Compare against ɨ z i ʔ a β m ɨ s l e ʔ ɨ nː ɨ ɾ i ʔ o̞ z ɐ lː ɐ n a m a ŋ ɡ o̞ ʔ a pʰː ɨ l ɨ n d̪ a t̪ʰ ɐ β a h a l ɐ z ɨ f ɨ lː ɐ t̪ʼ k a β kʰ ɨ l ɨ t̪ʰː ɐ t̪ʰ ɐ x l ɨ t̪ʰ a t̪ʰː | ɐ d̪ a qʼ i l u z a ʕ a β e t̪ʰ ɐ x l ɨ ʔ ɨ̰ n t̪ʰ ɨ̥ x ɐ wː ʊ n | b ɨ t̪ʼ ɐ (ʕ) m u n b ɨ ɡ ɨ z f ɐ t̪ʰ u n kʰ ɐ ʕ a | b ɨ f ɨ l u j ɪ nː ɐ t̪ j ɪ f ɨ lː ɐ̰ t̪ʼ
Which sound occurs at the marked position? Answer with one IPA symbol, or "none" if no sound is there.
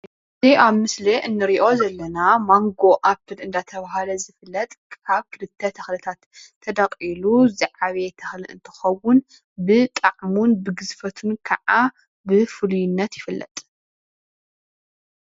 ʕ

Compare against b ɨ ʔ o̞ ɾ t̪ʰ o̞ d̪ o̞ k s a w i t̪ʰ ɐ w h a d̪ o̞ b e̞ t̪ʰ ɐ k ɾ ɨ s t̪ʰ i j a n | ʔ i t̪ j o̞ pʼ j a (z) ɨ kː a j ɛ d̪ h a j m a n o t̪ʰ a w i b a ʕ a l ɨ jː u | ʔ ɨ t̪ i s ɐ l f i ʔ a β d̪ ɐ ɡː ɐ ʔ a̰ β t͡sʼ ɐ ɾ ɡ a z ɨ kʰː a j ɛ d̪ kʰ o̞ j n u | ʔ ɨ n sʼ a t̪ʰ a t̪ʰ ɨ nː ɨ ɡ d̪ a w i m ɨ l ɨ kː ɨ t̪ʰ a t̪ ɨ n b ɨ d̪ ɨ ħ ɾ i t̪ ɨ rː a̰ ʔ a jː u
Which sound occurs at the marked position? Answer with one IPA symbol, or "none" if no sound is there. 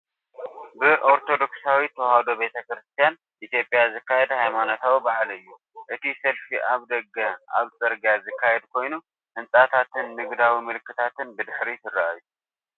z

